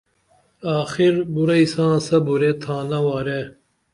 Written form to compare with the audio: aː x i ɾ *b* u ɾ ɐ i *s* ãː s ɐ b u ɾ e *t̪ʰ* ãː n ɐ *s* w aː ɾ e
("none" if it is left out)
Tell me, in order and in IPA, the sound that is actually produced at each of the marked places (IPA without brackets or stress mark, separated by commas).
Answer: b, s, t̪ʰ, none